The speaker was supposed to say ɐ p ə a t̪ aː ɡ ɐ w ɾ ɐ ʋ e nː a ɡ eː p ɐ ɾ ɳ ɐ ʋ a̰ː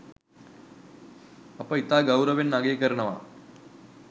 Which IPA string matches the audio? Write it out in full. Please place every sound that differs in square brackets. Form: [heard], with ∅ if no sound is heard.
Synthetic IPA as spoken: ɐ p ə [i] t̪ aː ɡ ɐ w ɾ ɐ ʋ e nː a ɡ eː [k] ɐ ɾ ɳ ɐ ʋ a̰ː